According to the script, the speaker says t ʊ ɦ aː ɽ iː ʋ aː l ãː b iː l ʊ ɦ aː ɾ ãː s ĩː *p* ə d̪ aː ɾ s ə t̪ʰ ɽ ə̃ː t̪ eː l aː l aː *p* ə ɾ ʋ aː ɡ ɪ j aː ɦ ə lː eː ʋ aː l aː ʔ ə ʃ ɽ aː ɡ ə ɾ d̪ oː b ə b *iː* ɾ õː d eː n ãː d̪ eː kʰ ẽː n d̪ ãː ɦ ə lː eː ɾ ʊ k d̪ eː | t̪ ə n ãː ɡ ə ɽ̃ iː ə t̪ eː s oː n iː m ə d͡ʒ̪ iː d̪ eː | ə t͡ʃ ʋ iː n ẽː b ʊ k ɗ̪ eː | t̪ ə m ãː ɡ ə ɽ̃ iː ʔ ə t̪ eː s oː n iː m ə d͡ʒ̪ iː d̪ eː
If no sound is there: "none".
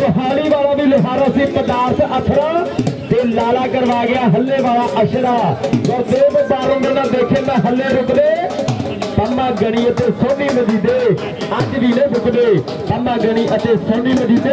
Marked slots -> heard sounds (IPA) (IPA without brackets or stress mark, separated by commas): p, k, aː